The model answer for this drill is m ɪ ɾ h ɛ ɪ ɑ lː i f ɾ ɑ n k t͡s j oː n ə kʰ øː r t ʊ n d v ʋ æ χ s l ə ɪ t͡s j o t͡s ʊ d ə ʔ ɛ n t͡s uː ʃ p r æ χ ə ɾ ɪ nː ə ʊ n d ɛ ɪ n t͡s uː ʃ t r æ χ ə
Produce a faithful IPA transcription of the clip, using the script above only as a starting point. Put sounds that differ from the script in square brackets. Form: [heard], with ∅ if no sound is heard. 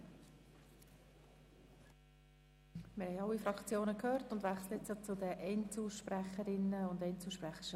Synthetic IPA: m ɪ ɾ h ɛ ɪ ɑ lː i f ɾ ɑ [∅] k t͡s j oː n ə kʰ øː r t ʊ n d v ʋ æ χ s l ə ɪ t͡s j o t͡s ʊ d ə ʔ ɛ n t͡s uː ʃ p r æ χ ə ɾ ɪ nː ə ʊ n d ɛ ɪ n t͡s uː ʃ [p] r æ χ ə